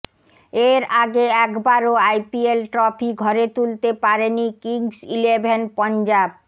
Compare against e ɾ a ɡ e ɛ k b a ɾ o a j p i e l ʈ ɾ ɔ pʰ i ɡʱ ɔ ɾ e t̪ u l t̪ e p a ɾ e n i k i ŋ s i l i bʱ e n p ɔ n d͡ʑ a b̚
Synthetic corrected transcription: e ɾ a ɡ e ɛ k b a ɾ o a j p i e l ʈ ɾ ɔ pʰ i ɡʱ ɔ ɾ e t̪ u l t̪ e p a ɾ e n i k i ŋ s i l e bʱ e n p ɔ n d͡ʑ a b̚